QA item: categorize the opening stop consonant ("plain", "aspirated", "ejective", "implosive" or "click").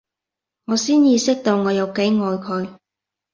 plain